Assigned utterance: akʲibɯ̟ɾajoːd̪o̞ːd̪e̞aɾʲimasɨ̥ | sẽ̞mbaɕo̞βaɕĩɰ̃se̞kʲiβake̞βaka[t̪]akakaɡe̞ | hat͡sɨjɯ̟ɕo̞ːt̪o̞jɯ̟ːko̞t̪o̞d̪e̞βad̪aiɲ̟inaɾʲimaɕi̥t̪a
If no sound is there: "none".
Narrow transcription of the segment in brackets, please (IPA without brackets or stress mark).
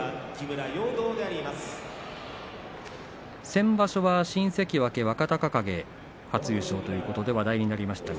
t̪